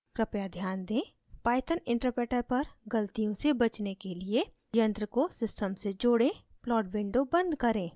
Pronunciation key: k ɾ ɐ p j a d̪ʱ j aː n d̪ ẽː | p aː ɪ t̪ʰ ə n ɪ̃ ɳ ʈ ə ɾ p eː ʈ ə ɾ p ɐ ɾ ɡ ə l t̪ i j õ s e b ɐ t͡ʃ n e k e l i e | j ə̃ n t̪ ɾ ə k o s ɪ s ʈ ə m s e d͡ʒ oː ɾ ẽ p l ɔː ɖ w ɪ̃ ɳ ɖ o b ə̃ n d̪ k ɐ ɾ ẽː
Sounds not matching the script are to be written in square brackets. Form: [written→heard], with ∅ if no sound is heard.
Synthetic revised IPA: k ɾ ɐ p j a d̪ʱ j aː n d̪ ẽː | p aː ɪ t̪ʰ ə n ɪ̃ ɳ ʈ ə ɾ p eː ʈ ə ɾ p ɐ ɾ ɡ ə l t̪ i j õ s e b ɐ t͡ʃ n e k e l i e | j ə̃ n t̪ ɾ ə k o s ɪ s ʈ ə m s e d͡ʒ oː [ɾ→ɽ] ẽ p l ɔː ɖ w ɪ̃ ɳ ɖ o b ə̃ n d̪ k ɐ ɾ ẽː